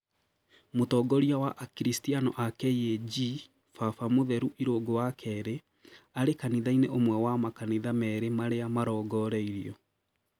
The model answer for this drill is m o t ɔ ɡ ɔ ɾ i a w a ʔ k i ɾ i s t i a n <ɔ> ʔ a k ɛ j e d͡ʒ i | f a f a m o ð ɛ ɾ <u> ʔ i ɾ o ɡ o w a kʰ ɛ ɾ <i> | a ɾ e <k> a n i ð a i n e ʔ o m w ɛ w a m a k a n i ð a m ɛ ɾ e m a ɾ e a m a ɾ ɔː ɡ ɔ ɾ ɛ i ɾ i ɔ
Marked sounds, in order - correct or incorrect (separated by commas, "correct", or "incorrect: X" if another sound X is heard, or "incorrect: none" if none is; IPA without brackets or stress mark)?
correct, correct, incorrect: e, correct